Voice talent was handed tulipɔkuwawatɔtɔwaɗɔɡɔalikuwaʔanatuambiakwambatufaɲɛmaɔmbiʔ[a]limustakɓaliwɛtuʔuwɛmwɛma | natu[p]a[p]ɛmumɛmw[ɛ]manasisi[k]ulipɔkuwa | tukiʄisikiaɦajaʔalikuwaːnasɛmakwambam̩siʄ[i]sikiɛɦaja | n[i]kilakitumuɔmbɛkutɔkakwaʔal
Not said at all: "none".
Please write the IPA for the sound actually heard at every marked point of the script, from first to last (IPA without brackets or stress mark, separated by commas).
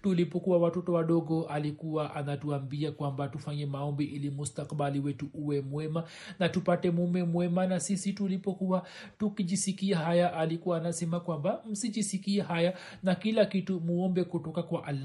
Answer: i, p, t, ɛ, t, i, a